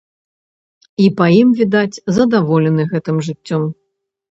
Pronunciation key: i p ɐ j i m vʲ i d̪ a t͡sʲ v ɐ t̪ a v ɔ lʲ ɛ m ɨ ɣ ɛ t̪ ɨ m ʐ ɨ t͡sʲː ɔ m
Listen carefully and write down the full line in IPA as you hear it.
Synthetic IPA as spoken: i p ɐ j i m vʲ i d̪ a t͡sʲ z ɐ d̪ a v ɔ lʲ ɛ n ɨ ɣ ɛ t̪ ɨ m ʐ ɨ t͡sʲː ɔ m